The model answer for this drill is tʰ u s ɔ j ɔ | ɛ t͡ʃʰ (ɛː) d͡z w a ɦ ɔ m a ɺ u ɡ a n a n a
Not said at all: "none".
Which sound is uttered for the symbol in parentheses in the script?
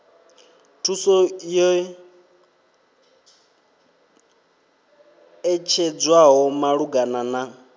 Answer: ɛ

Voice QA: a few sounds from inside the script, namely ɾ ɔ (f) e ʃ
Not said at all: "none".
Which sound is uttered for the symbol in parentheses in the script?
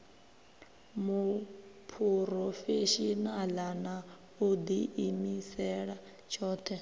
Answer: f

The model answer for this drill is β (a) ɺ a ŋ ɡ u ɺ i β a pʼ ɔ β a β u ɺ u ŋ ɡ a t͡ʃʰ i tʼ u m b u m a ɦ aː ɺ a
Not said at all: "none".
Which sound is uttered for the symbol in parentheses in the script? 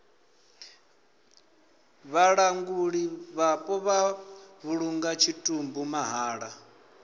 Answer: a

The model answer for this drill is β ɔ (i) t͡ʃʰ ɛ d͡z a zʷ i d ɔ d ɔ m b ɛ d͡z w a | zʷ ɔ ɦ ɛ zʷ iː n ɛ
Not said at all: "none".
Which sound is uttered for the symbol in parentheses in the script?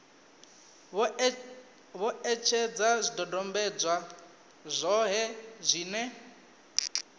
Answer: ɛ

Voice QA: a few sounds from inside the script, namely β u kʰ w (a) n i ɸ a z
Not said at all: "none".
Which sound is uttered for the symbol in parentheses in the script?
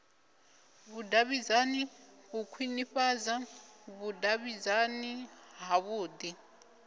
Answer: i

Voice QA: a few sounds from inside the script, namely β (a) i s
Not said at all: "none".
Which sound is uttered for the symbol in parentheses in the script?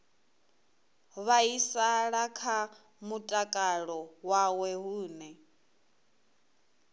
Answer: a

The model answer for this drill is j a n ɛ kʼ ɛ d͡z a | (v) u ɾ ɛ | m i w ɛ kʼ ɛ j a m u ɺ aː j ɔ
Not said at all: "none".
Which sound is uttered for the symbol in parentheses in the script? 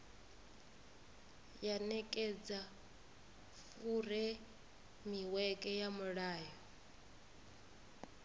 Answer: f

